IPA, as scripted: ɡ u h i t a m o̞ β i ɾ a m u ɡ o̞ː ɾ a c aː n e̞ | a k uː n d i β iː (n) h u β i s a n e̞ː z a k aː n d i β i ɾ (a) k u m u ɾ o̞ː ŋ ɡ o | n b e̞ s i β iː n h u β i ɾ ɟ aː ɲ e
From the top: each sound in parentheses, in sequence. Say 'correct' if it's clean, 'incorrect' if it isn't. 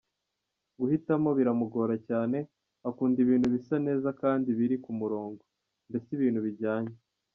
correct, incorrect: i

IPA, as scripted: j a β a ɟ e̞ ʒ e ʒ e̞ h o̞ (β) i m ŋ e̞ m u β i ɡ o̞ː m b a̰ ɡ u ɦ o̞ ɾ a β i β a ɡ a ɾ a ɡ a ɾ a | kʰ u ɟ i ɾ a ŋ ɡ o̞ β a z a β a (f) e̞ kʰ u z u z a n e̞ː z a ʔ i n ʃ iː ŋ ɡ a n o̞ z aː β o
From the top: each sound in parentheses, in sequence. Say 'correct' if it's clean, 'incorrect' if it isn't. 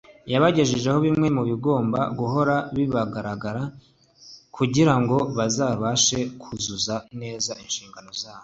correct, incorrect: ʃ

